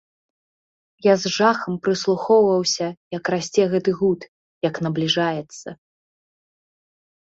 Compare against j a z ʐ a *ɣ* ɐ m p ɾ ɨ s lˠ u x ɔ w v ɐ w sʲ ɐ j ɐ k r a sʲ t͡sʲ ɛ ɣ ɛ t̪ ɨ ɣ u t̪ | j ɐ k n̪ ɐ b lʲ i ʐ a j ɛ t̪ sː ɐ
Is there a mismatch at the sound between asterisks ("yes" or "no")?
yes